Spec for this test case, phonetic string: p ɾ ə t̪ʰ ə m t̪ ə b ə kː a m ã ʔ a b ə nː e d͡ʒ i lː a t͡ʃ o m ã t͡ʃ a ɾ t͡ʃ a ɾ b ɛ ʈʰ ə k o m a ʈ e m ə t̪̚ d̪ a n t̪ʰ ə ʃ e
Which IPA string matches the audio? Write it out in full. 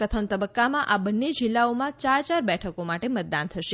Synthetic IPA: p ɾ ə t̪ʰ ə m t̪ ə b ə kː a m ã ʔ a b ə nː e d͡ʒ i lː a o m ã t͡ʃ a ɾ t͡ʃ a ɾ b ɛ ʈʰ ə k o m a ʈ e m ə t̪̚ d̪ a n t̪ʰ ə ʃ e